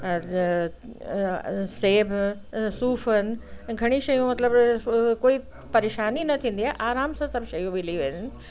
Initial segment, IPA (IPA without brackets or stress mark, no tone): s